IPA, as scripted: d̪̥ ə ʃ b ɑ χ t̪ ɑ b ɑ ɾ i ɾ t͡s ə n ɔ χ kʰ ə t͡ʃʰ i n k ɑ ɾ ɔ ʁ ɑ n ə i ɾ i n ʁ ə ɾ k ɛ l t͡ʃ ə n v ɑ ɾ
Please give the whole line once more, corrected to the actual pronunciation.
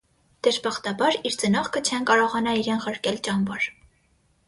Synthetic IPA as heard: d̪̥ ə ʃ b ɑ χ t̪ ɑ b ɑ ɾ i ɾ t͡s ə n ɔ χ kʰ ə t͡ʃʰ ɛ n k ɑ ɾ ɔ ʁ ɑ n ɑ i ɾ ɛ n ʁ ə ɾ k ɛ l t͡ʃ ɑ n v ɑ ɾ